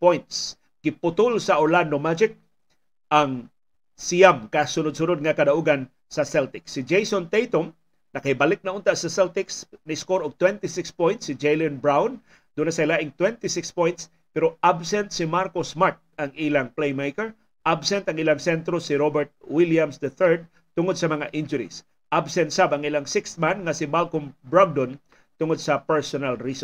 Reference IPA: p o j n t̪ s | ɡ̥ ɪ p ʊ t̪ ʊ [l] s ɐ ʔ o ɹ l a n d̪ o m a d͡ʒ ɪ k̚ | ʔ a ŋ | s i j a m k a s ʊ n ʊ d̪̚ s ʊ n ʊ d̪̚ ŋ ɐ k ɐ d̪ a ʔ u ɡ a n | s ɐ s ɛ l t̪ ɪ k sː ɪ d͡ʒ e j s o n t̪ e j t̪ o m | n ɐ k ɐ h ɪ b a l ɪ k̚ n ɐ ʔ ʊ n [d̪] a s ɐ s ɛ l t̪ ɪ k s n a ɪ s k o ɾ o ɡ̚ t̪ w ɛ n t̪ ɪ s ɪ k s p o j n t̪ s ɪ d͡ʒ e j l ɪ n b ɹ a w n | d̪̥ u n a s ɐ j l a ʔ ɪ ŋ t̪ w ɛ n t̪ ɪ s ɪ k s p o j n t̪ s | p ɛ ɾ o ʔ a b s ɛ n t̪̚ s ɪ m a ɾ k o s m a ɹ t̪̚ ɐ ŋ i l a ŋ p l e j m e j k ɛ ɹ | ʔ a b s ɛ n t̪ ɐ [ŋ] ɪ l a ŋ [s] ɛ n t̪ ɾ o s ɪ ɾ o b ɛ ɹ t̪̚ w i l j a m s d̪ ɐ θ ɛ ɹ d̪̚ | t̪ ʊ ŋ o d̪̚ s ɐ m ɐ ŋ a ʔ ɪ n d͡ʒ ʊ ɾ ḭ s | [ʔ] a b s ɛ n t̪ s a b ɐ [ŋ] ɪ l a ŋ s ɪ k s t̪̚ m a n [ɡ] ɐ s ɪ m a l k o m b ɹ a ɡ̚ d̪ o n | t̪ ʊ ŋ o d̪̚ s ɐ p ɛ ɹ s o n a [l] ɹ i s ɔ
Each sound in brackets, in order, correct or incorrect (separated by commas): correct, incorrect, correct, correct, correct, correct, incorrect, correct